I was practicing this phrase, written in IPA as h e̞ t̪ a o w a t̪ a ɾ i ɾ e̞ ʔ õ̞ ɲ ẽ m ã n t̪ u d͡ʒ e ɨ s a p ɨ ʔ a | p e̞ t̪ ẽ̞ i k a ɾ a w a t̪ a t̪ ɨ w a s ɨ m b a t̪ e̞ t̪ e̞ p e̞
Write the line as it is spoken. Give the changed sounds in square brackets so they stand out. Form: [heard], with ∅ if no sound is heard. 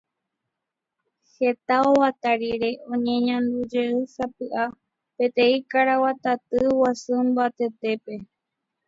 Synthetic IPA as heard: h e̞ t̪ a o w a t̪ a ɾ i ɾ e̞ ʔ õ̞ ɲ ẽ [ɲ] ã n [d̪] u d͡ʒ e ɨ s a p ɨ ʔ a | p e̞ t̪ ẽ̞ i k a ɾ a w a t̪ a t̪ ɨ w a s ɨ m b a t̪ e̞ t̪ e̞ p e̞

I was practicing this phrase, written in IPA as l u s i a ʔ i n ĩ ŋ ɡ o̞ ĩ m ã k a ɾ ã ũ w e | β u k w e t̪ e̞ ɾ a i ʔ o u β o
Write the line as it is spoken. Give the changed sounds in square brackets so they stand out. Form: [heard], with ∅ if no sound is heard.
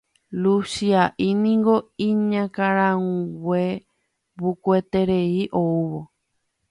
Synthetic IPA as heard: l u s i a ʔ i n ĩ ŋ ɡ o̞ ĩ [ɲ] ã k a ɾ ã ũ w e | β u k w e t̪ e̞ ɾ [e] i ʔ o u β o

